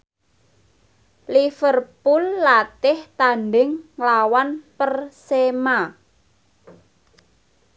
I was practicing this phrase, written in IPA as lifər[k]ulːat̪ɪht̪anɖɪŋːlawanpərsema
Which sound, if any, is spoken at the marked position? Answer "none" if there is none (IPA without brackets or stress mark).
p